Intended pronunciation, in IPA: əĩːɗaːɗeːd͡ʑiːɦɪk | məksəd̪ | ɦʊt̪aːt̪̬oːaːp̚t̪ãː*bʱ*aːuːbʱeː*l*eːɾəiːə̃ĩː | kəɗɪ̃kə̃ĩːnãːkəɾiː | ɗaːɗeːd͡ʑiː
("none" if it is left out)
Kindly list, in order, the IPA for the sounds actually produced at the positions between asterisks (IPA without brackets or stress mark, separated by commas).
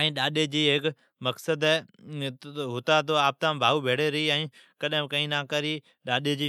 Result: bʱ, ɽ